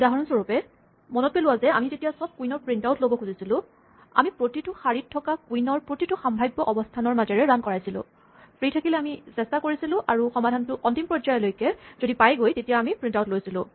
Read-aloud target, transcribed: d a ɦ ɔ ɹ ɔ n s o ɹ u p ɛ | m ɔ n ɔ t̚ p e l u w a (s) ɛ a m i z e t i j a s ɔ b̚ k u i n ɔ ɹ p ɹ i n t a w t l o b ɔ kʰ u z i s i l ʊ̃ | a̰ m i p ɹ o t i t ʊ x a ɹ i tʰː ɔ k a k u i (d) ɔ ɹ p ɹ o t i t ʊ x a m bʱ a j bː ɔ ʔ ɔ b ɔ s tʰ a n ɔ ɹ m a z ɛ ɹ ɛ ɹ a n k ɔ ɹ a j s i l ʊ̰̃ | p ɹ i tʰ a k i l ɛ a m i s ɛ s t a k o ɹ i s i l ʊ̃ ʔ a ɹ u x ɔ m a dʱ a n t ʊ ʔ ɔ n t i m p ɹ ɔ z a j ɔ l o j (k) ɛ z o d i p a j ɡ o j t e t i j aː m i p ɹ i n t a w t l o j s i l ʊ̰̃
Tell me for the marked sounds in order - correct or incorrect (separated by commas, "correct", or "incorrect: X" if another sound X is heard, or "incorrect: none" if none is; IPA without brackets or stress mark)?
incorrect: z, incorrect: n, correct